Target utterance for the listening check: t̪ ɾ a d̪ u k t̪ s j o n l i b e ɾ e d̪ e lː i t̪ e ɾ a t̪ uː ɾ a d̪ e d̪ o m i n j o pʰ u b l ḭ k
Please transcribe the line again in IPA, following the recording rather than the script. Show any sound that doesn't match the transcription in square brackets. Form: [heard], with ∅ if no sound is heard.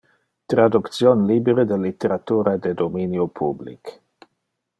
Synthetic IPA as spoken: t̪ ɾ a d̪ u k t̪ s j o n l i b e ɾ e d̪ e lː i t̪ e ɾ a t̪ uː ɾ a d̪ e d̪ o m i n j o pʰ u b l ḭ k